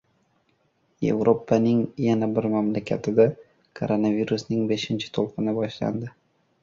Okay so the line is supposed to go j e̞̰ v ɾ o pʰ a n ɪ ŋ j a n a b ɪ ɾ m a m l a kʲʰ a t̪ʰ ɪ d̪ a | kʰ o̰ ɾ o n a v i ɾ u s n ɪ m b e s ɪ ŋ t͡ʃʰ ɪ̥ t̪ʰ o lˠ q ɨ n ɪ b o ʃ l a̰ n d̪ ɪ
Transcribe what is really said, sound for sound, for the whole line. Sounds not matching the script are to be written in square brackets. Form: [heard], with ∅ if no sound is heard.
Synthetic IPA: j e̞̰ v ɾ o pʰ a n ɪ ŋ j a n a b ɪ ɾ m a m l a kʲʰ a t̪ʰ ɪ d̪ a | kʰ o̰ ɾ o n a v i ɾ u s n ɪ [ŋ] b e [ʃ] ɪ [n] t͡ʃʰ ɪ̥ t̪ʰ o lˠ q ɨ n ɪ b [ɒ] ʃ l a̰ n d̪ ɪ